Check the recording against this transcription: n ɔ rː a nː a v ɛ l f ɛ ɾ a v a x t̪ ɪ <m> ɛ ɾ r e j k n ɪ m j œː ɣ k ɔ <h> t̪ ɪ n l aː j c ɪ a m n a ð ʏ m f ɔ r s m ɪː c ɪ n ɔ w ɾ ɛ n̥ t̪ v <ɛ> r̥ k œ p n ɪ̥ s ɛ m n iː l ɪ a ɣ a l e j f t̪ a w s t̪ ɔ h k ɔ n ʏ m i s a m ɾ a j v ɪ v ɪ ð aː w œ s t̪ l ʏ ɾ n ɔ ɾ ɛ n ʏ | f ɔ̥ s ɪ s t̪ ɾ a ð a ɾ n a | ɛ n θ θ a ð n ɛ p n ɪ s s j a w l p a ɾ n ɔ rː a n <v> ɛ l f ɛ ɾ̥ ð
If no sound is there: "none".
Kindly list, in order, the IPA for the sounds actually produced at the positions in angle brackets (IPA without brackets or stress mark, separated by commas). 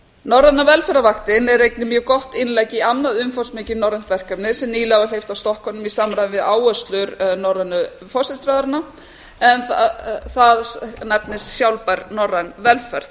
n, h, ɛ, v